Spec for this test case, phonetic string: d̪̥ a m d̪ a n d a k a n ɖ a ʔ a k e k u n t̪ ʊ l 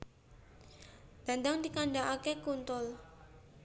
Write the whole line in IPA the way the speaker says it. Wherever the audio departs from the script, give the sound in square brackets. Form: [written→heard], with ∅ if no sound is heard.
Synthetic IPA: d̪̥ a [m→n] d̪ a [n→ŋ] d [a→i] k a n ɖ a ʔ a k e k u n t̪ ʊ l